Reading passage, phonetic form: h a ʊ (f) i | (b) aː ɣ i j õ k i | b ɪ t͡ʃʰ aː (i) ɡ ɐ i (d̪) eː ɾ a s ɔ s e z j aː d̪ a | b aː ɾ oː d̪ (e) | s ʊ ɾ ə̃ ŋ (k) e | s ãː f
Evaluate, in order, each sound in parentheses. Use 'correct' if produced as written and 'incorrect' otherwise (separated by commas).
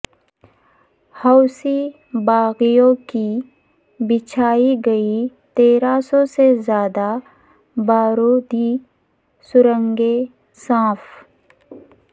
incorrect, correct, correct, incorrect, incorrect, incorrect